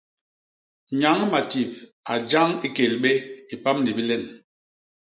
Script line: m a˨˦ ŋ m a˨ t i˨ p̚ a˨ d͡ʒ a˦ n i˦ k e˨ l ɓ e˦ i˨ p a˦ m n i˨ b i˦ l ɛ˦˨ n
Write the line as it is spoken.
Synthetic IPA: ɲ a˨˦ ŋ m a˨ t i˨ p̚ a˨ d͡ʒ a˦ ŋ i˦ k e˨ l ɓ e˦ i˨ p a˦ m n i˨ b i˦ l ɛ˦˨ n